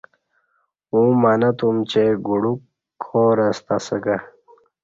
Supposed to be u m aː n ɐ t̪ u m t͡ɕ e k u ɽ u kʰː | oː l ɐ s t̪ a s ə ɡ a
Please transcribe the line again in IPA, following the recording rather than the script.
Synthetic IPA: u m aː n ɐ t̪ u m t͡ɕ e ɡ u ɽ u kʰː | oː ɾ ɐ s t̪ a s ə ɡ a